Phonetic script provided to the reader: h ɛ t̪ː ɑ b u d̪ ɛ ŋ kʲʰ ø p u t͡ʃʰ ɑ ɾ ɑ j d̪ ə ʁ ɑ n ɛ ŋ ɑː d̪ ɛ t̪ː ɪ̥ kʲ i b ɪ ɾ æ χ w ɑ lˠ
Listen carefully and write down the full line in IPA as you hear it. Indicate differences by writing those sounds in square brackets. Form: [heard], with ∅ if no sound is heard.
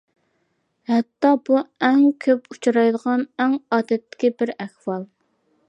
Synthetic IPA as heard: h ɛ t̪ː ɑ b u [∅] ɛ ŋ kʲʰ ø p u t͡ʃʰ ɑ ɾ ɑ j d̪ ə ʁ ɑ n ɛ ŋ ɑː d̪ ɛ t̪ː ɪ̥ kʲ i b ɪ ɾ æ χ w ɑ lˠ